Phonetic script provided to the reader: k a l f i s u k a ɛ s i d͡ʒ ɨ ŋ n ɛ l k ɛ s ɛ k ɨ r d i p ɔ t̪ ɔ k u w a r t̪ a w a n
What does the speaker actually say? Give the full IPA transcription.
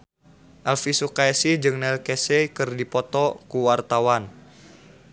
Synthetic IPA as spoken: ʔ a l f i s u k a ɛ s i d͡ʒ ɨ ŋ n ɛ l k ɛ s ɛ k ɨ r d i p ɔ t̪ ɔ k u w a r t̪ a w a n